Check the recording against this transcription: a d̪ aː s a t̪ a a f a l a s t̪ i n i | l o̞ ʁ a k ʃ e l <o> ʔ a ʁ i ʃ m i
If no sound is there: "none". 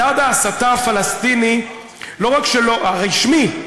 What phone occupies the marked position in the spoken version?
o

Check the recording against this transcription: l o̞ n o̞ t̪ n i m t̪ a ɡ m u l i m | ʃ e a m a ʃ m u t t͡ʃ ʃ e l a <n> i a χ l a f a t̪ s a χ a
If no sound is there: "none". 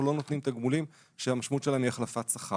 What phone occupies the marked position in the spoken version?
n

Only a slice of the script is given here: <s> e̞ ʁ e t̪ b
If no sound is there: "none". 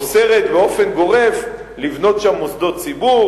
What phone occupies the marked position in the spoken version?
s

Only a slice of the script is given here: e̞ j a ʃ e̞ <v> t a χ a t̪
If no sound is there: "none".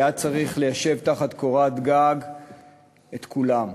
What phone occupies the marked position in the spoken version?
v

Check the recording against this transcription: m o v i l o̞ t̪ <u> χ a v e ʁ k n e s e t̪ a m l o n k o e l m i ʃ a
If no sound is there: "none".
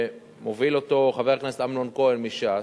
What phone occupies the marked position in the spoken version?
o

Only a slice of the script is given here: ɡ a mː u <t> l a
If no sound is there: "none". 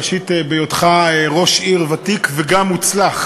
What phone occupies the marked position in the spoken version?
t͡s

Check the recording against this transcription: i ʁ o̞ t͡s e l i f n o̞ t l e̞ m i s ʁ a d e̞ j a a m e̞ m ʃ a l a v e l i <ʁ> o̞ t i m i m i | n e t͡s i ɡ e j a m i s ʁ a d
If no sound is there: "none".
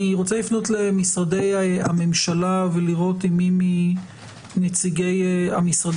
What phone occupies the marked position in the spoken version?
ʁ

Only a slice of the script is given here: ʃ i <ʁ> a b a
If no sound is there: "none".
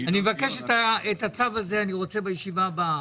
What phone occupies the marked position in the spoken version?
v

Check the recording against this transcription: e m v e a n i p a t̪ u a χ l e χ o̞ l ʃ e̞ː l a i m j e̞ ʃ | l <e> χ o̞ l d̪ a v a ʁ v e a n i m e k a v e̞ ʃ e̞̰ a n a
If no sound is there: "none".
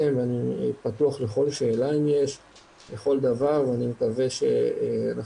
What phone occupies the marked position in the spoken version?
e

